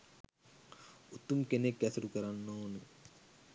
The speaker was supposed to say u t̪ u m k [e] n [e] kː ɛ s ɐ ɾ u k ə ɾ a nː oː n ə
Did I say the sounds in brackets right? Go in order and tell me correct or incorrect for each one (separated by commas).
correct, correct